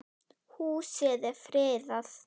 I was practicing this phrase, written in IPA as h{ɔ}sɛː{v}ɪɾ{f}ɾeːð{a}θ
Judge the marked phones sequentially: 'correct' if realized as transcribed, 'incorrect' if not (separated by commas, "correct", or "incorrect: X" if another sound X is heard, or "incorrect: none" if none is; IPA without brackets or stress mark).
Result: incorrect: u, incorrect: ð, correct, correct